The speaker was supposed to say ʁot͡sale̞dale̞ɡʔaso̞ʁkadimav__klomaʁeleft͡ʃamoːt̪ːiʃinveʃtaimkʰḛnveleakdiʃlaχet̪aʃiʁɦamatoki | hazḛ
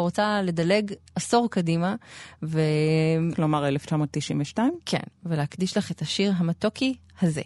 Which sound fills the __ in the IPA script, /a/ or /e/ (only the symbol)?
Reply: e